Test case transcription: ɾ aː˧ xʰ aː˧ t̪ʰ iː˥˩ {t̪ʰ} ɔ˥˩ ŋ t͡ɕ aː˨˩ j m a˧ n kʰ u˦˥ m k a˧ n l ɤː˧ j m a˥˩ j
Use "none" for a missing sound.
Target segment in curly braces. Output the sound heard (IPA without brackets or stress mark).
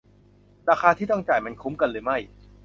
t̪